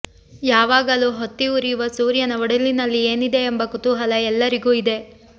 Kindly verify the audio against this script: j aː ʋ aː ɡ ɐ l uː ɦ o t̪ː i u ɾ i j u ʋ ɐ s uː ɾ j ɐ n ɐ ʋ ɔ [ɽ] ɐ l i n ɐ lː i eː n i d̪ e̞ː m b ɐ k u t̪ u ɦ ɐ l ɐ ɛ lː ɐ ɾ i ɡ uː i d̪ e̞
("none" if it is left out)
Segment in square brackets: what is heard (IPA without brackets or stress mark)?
ɽ